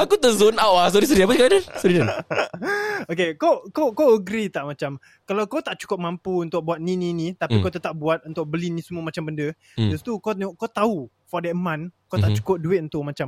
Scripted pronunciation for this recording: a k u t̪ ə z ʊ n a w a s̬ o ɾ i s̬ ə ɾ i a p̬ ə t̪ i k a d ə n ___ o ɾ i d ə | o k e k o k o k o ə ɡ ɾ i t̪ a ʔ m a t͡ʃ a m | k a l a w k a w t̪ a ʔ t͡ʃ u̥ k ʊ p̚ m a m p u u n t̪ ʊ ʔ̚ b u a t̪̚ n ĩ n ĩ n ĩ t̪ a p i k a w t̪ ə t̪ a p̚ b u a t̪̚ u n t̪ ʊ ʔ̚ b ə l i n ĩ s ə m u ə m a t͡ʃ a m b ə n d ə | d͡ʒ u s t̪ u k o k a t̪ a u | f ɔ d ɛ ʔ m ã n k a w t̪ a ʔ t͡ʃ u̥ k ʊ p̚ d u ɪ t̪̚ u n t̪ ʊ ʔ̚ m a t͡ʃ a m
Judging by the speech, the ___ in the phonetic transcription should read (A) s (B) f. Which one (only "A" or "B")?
A